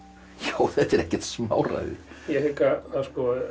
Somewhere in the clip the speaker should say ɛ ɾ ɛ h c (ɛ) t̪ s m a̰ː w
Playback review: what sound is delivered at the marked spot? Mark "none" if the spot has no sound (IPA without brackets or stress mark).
ɛ